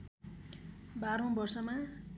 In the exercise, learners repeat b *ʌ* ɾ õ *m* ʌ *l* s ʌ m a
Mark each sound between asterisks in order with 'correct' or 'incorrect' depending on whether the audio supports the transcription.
incorrect: a, incorrect: b, incorrect: r

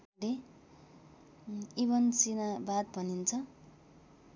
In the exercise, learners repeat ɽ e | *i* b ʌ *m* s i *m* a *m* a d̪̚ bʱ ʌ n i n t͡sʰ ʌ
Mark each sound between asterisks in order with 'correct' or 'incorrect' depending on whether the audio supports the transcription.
correct, incorrect: n, incorrect: n, incorrect: b

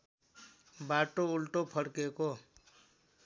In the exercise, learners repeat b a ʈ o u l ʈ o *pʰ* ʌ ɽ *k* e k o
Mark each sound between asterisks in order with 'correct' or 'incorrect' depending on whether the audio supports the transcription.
correct, correct

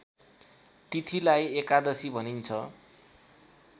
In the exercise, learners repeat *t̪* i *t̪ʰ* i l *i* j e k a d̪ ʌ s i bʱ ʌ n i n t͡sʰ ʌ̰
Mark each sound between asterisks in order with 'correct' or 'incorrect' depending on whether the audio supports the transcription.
correct, correct, incorrect: a

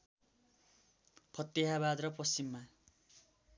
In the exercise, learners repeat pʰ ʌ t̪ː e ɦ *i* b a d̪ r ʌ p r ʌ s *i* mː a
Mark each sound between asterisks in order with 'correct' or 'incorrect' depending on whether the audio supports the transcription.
incorrect: a, correct

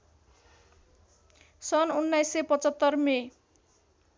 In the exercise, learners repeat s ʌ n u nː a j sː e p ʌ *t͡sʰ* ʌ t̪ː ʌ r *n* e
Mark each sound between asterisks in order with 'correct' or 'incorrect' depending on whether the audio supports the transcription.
incorrect: t͡s, incorrect: m

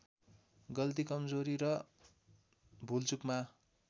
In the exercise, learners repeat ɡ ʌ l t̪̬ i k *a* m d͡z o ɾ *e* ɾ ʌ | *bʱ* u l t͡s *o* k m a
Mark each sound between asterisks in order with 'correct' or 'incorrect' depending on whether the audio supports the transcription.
incorrect: ʌ, incorrect: i, correct, incorrect: u

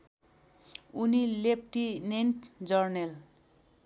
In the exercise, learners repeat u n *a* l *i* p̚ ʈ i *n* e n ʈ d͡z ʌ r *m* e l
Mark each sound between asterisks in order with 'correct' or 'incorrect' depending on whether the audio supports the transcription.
incorrect: i, incorrect: e, correct, incorrect: n

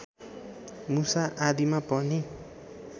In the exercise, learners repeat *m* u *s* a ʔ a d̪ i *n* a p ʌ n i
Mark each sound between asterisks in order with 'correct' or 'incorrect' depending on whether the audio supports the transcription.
correct, correct, incorrect: m

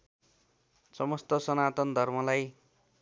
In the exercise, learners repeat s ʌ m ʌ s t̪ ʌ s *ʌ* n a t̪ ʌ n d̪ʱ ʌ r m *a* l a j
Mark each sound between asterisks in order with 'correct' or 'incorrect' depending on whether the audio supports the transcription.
correct, incorrect: ʌ

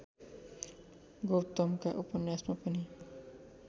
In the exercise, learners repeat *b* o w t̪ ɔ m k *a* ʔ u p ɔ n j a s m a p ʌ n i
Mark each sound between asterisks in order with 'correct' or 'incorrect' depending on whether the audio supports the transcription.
incorrect: ɡ, correct

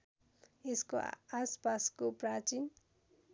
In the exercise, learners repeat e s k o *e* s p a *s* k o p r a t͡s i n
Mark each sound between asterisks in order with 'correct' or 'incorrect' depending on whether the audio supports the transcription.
incorrect: a, correct

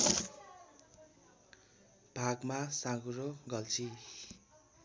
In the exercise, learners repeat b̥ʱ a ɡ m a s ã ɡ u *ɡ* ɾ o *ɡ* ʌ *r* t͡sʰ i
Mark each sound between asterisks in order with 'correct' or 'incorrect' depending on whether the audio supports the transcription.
incorrect: none, correct, incorrect: l

